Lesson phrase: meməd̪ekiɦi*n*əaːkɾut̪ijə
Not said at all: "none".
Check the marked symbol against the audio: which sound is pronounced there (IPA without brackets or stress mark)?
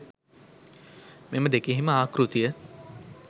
m